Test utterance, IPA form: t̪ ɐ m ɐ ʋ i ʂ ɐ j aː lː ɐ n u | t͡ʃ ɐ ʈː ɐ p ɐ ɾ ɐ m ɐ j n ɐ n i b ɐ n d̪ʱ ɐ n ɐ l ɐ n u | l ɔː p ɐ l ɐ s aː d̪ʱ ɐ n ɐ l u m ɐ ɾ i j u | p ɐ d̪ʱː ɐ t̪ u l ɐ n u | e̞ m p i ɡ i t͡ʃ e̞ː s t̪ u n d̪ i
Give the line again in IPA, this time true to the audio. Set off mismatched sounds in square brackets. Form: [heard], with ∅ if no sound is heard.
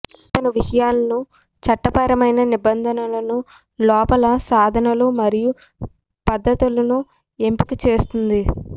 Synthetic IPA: t̪ ɐ [n] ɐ ʋ i ʂ ɐ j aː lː ɐ n u | t͡ʃ ɐ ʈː ɐ p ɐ ɾ ɐ m ɐ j n ɐ n i b ɐ n d̪ʱ ɐ n ɐ l ɐ n u | l ɔː p ɐ l ɐ s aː d̪ʱ ɐ n ɐ l u m ɐ ɾ i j u | p ɐ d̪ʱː ɐ t̪ u l ɐ n u | e̞ m p i [k] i t͡ʃ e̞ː s t̪ u n d̪ i